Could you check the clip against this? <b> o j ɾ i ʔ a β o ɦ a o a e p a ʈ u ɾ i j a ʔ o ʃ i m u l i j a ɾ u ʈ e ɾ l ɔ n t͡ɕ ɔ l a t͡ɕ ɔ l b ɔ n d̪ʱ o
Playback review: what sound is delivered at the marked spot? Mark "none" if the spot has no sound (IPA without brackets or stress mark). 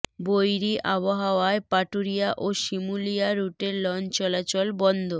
b